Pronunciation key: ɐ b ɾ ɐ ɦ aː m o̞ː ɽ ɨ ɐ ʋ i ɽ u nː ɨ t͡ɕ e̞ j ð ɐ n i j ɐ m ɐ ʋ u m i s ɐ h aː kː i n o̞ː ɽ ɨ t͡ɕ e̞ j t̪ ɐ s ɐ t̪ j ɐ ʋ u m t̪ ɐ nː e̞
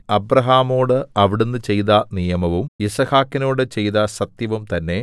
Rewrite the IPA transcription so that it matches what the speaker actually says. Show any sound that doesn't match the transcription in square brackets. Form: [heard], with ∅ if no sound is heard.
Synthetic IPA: ɐ b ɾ ɐ ɦ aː m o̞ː ɽ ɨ ɐ ʋ i ɽ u nː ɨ t͡ɕ e̞ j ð ɐ n i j ɐ m ɐ ʋ u m i s ɐ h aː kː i n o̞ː ɽ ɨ t͡ɕ e̞ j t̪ ɐ s ɐ t̪ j ɐ ʋ u m t̪ ɐ nː e̞